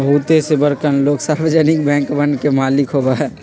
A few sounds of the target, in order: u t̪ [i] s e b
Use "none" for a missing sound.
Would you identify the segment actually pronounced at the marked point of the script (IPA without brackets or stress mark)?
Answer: e